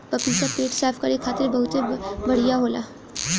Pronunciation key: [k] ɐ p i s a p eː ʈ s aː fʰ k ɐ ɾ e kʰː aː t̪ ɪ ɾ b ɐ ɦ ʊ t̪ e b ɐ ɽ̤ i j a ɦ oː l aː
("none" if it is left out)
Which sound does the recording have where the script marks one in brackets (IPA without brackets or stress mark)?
p